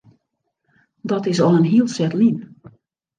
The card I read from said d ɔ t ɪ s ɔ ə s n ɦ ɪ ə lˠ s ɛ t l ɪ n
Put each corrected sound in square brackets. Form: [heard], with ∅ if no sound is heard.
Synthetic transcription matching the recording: d ɔ t ɪ s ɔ ə [∅] n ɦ [i] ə lˠ s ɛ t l [i] n